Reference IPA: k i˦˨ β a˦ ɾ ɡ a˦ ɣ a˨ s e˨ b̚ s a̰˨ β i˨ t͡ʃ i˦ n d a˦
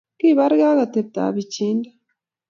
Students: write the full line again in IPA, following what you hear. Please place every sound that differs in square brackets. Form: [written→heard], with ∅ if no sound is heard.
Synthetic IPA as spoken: k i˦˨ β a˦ ɾ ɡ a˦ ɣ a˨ [s→t] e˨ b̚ [s→t] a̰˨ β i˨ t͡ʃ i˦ n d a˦